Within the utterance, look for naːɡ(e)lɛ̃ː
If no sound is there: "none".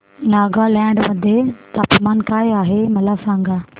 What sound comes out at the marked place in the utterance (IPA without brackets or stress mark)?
a